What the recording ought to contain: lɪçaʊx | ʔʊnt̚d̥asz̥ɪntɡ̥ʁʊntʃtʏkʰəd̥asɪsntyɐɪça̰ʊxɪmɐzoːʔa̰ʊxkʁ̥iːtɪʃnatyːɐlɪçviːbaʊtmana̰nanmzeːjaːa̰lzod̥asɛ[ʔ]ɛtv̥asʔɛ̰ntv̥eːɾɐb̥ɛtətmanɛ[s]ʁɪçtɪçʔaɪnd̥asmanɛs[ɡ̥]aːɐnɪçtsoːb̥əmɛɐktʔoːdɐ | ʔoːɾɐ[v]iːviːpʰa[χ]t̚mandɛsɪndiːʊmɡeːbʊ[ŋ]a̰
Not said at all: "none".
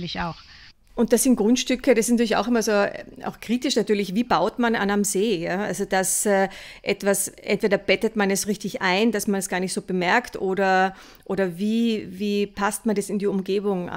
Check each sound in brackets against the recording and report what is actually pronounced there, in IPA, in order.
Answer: ʔ, s, ɡ̥, v, s, ŋ

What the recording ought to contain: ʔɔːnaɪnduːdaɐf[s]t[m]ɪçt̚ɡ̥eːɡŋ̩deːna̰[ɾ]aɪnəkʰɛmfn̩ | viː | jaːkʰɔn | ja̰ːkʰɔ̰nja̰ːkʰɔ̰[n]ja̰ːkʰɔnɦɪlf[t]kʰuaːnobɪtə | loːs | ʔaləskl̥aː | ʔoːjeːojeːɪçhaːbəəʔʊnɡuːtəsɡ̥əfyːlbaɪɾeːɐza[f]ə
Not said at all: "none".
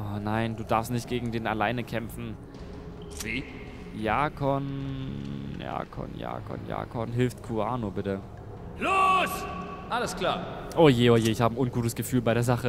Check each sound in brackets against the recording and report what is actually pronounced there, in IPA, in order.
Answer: s, n, l, n, t, χ

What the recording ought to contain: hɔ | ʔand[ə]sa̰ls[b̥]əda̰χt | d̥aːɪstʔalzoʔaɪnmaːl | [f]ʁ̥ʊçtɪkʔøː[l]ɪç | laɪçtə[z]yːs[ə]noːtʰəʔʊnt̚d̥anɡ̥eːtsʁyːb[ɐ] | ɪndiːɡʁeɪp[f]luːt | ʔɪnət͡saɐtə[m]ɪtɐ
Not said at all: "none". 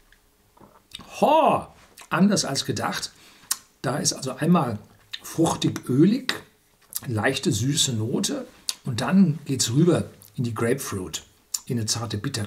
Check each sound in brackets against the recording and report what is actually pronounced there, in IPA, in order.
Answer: ɐ, ɡ̥, f, l, z, ə, ɐ, f, b

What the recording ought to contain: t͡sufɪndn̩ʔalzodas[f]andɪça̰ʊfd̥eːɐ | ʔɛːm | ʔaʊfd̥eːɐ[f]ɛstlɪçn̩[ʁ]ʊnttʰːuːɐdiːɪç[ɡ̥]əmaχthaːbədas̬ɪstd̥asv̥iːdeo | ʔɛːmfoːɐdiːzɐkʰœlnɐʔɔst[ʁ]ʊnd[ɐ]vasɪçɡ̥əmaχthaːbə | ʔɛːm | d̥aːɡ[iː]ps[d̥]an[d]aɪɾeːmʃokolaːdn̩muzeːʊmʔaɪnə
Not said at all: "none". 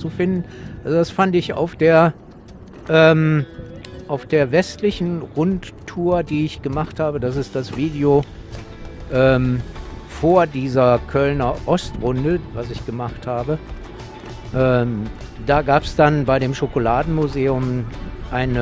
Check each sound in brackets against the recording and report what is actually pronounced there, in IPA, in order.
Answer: f, v, ʁ, ɡ̥, ʁ, ə, aː, d̥, b

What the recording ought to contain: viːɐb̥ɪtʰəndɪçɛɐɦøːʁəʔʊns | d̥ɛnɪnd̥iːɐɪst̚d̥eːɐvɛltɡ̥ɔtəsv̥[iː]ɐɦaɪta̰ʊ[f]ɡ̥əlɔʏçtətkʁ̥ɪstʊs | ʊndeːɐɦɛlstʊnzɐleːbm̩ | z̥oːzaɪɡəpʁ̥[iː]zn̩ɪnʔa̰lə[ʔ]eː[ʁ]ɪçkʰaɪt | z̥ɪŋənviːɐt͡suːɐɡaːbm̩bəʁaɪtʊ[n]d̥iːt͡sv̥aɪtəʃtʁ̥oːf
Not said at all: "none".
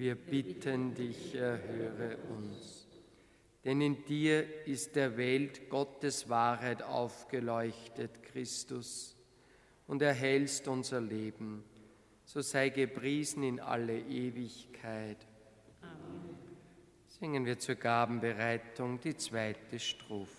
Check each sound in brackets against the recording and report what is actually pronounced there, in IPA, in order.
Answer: aː, f, iː, ʔ, v, ŋ

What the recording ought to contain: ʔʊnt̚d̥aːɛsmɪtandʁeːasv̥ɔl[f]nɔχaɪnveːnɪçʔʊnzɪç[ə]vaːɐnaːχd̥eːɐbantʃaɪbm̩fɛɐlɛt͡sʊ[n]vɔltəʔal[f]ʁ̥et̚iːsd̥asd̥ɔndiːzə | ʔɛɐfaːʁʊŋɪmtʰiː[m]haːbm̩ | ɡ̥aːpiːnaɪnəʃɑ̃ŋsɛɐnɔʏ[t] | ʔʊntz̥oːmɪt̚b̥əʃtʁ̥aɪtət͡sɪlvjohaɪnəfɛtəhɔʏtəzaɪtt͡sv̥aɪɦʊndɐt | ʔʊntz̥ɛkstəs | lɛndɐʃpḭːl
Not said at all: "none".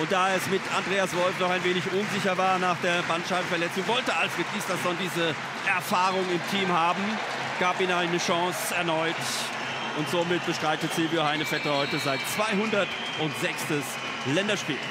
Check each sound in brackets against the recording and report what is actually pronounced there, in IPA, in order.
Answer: f, ɐ, ŋ, f, m, t

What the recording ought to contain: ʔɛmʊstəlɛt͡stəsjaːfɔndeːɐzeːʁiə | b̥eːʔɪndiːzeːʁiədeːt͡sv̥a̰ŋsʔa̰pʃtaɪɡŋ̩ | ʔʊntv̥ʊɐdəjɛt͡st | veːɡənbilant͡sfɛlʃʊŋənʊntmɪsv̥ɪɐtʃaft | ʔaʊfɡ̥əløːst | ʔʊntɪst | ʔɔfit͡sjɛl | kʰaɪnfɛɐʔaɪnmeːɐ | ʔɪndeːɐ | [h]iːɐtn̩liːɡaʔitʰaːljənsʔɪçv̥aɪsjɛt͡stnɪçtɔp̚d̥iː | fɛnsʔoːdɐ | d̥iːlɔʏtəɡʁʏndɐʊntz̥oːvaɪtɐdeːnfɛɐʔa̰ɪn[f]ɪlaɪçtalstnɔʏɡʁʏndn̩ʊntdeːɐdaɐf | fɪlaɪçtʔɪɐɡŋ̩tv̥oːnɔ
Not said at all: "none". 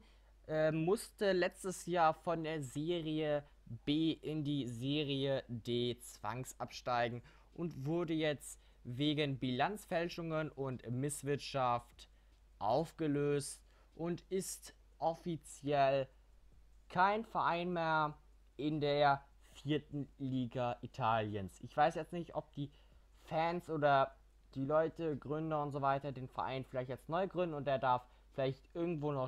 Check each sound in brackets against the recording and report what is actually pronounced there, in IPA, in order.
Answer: f, f

